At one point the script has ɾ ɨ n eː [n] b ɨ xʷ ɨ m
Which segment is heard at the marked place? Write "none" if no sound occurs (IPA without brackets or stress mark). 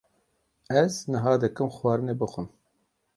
none